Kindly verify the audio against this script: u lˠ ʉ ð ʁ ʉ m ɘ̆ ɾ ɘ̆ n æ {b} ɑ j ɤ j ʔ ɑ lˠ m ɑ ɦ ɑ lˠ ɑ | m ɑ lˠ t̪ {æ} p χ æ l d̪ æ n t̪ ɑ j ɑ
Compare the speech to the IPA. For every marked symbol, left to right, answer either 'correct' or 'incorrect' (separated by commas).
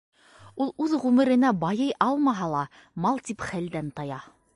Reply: correct, incorrect